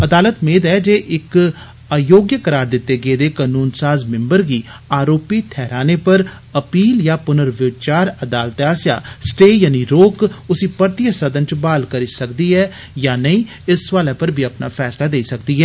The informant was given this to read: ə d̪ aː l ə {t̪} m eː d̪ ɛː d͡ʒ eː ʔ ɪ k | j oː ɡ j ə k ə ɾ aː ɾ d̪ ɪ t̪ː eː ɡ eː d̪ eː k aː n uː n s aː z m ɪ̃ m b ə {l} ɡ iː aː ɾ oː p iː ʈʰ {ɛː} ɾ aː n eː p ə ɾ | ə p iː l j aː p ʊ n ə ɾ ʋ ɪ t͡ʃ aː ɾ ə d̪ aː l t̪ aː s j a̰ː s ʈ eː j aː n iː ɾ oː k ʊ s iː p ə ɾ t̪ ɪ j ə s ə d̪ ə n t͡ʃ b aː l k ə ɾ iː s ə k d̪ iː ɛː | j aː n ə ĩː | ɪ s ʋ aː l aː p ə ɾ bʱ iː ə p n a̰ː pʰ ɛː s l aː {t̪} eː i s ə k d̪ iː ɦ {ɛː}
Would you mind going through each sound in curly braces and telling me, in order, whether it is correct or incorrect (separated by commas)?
correct, incorrect, correct, incorrect, correct